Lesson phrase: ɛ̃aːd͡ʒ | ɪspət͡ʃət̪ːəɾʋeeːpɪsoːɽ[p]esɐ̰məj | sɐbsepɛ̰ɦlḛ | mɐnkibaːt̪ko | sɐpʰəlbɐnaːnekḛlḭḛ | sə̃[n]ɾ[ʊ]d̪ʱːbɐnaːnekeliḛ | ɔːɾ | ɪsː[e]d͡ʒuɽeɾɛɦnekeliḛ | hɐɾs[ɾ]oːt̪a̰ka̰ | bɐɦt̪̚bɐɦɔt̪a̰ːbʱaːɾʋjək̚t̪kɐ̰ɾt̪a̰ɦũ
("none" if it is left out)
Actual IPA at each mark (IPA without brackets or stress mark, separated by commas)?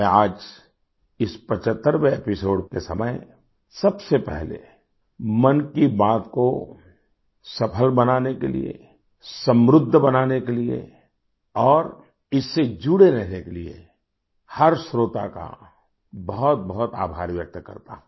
k, m, ʊ, e, ɾ